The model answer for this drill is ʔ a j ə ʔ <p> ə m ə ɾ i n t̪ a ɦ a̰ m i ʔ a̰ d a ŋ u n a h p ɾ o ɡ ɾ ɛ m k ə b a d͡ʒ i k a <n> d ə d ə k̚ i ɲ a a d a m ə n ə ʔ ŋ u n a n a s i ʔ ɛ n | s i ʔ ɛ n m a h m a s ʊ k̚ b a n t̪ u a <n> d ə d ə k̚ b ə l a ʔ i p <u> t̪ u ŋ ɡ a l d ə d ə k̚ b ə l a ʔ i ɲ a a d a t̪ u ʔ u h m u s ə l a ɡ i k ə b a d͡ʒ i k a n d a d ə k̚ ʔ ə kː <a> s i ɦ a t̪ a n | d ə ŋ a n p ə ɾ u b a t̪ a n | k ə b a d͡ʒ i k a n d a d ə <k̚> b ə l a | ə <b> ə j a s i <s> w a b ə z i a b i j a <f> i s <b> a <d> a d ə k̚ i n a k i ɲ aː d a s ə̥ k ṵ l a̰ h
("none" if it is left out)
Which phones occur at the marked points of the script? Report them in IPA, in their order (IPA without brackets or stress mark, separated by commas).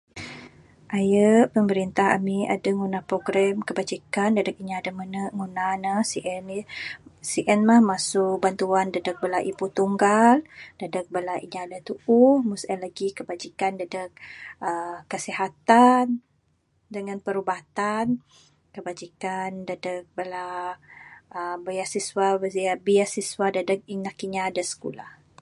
p, n, n, u, ə, k̚, b, s, s, w, d